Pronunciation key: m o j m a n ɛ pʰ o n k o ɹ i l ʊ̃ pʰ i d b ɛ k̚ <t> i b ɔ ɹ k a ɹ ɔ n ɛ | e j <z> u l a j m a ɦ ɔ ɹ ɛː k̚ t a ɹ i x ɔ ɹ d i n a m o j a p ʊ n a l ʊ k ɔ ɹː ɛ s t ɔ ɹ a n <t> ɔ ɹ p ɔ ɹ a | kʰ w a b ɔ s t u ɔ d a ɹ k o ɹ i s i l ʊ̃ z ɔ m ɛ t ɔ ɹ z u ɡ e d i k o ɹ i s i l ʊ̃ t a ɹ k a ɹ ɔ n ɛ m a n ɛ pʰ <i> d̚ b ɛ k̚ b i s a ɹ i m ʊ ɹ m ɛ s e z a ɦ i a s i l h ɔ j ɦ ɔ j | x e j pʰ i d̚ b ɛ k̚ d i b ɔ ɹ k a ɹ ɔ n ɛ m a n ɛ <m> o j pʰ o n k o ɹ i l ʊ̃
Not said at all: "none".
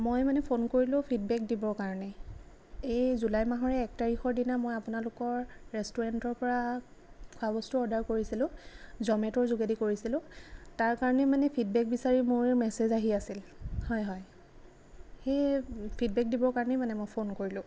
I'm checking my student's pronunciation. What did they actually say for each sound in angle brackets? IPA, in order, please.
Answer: d, z, t, i, m

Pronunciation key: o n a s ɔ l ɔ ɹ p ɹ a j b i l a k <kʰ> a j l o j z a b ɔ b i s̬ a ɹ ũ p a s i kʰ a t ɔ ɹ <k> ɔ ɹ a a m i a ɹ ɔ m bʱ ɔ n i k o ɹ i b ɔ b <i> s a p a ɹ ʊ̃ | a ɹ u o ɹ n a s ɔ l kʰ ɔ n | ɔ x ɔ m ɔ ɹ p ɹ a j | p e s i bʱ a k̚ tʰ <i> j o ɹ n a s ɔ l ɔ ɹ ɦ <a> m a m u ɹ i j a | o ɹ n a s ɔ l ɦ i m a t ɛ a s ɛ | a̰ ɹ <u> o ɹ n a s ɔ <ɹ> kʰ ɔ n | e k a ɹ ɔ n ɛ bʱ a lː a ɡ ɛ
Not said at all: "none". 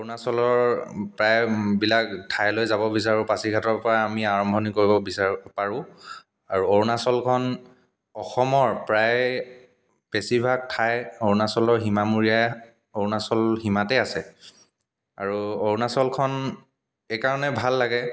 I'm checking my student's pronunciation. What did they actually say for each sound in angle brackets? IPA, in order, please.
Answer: tʰ, p, i, a, i, u, l

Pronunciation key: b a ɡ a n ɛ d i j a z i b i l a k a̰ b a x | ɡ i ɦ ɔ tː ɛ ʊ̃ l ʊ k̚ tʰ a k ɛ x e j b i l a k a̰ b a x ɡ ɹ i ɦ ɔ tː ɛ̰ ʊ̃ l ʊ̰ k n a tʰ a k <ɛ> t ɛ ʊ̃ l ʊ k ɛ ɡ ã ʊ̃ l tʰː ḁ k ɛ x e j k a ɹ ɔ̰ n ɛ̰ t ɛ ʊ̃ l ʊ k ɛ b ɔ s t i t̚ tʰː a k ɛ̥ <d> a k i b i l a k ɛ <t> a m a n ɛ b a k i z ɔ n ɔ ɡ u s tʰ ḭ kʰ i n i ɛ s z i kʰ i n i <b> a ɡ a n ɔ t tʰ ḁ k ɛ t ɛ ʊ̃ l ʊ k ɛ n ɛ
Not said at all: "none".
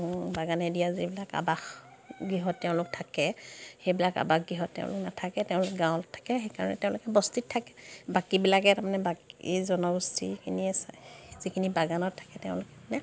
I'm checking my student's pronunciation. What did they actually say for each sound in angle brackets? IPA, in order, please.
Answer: ɛ, b, t, b

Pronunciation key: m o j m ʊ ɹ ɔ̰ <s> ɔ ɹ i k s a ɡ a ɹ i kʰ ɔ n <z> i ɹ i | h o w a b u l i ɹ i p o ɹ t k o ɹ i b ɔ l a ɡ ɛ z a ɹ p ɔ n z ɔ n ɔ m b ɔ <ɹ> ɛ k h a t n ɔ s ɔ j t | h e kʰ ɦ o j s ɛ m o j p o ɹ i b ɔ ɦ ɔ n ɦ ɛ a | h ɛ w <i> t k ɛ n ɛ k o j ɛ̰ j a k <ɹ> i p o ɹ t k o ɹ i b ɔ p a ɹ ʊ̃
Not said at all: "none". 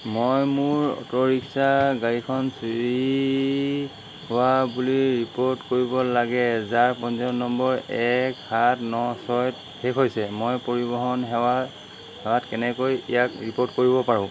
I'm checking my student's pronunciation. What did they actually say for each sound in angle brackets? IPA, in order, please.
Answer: t, s, ɹ, a, ɹ

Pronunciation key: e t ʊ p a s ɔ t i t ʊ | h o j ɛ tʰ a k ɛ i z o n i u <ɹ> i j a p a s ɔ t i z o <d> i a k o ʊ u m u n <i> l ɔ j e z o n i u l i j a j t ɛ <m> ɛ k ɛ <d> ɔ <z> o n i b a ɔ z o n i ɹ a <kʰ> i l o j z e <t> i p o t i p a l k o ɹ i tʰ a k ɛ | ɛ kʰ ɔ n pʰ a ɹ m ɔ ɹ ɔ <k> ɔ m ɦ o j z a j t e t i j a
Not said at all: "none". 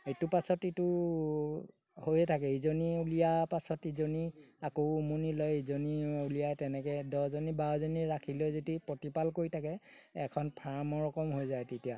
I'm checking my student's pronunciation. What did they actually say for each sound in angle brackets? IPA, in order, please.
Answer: l, n, i, n, d, z, kʰ, t, k

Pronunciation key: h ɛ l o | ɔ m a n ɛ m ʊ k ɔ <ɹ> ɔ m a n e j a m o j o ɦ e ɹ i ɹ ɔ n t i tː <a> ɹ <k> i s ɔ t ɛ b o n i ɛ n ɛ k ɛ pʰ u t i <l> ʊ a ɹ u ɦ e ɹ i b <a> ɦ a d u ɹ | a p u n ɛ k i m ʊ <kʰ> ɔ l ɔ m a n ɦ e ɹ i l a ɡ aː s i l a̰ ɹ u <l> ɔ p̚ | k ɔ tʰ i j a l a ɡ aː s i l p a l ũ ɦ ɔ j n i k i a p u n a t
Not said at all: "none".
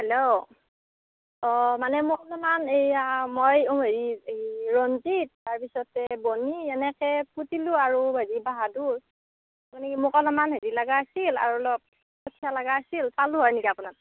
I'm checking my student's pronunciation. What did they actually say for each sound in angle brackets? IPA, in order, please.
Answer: l, a, p, l, a, k, l

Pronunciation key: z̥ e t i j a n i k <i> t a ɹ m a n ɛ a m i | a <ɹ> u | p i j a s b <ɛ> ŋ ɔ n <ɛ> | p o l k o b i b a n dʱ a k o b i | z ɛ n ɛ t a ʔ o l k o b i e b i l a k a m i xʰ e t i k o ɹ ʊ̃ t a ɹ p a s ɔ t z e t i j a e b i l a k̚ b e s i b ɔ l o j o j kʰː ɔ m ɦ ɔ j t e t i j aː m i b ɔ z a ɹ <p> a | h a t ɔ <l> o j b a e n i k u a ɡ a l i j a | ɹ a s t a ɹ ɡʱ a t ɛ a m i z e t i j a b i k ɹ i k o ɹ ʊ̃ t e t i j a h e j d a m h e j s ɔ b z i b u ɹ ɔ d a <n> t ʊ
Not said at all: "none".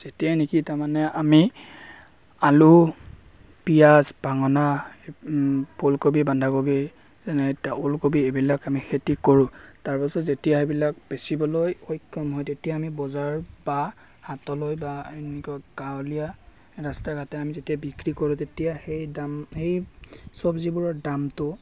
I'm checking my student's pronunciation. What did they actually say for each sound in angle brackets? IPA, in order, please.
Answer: i, l, a, a, b, l, m

